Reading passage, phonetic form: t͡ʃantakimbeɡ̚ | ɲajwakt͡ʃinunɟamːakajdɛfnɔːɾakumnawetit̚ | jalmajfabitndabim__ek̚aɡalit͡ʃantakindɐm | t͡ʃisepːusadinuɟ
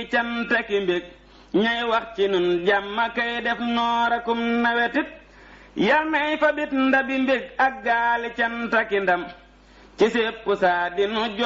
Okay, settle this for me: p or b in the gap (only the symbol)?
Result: b